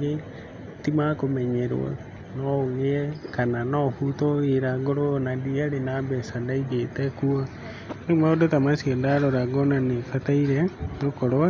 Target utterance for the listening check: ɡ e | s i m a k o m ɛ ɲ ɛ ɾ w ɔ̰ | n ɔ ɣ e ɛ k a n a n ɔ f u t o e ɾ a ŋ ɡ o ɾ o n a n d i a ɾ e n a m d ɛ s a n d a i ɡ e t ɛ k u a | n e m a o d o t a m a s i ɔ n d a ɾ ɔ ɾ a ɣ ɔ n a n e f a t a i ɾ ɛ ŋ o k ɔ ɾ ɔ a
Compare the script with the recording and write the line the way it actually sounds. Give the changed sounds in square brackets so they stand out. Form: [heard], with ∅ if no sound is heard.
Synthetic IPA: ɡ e | [t] i m a k o m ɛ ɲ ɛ ɾ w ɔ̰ | n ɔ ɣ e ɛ k a n a n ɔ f u t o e ɾ a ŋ ɡ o ɾ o n a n d i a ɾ e n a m [b] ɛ s a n d a i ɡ e t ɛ k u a | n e m a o d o t a m a s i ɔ n d a ɾ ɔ ɾ a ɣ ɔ n a n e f a t a i ɾ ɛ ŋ o k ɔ ɾ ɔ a